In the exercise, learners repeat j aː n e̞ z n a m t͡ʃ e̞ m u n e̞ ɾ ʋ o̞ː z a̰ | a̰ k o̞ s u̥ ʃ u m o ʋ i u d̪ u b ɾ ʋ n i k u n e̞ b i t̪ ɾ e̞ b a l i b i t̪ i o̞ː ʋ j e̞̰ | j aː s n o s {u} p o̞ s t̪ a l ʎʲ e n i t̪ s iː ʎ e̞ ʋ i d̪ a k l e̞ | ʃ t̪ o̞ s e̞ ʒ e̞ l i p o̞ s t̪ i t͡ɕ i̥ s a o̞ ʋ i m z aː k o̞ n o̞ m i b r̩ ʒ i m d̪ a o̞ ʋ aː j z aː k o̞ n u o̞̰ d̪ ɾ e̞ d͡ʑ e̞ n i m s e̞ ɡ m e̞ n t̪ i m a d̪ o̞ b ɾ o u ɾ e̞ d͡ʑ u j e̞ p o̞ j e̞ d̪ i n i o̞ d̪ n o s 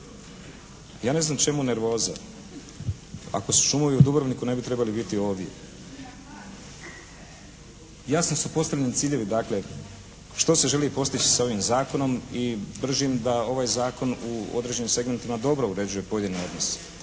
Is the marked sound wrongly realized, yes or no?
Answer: no